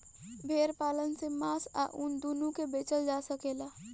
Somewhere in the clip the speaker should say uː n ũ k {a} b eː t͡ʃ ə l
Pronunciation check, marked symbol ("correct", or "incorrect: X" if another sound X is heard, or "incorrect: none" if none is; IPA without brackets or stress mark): incorrect: e